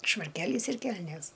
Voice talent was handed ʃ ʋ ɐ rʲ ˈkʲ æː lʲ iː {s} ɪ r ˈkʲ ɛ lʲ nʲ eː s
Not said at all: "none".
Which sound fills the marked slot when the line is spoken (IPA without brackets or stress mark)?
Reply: s